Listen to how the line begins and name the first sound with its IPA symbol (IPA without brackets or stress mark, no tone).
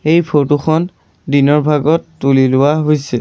e